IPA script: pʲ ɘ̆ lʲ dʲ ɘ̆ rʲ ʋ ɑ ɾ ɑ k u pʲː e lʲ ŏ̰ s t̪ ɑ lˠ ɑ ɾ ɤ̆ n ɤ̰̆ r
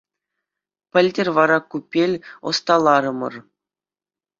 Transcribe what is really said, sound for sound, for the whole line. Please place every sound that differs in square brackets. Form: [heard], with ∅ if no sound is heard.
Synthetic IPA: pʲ ɘ̆ lʲ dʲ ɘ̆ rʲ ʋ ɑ ɾ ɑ k u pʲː e lʲ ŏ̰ s t̪ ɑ lˠ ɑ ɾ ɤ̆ [m] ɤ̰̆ r